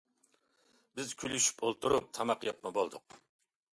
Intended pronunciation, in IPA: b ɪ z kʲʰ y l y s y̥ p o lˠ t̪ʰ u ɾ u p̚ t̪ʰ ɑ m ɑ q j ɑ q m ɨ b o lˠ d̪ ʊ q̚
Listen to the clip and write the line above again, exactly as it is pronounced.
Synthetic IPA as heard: b ɪ z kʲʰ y l y ʃ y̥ p o lˠ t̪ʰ u ɾ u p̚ t̪ʰ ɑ m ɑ q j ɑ p m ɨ b o lˠ d̪ ʊ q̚